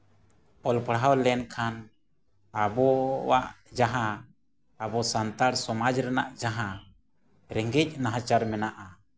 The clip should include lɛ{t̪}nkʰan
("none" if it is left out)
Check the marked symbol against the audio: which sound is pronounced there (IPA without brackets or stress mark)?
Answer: none